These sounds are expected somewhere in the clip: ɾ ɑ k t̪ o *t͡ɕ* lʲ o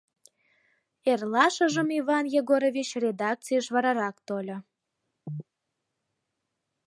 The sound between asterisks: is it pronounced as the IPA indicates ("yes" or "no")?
no